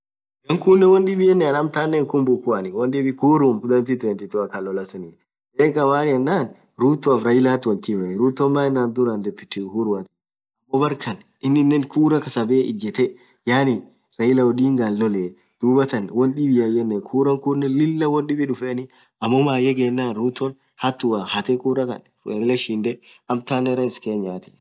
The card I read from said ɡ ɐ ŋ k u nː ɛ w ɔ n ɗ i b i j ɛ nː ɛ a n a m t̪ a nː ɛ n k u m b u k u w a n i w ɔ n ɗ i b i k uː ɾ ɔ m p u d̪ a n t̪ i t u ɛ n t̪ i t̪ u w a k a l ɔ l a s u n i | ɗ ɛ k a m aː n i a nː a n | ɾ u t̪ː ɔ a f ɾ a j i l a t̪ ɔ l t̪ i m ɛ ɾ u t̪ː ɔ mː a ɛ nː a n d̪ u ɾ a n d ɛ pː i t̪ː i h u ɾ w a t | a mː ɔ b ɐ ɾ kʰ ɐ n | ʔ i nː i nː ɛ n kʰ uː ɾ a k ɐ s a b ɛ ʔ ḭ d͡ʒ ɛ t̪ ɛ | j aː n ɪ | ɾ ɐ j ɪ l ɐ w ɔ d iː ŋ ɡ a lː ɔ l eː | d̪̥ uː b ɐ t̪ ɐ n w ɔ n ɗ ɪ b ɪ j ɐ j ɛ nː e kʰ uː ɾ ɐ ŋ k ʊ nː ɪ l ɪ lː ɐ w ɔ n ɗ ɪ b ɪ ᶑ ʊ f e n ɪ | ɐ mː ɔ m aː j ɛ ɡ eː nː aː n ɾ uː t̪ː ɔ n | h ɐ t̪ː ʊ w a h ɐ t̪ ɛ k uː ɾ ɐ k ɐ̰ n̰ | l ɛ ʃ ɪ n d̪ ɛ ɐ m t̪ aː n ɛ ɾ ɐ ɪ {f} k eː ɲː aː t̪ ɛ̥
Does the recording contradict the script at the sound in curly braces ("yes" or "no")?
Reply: yes